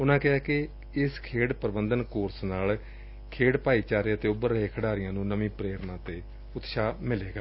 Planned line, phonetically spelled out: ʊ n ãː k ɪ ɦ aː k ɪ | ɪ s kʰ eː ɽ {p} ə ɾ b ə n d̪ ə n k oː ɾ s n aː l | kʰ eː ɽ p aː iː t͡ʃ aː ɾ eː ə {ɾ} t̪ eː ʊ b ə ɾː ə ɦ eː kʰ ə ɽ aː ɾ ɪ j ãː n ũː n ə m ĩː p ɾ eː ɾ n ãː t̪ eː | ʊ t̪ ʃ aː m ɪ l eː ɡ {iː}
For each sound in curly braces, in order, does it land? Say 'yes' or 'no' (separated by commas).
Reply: yes, no, no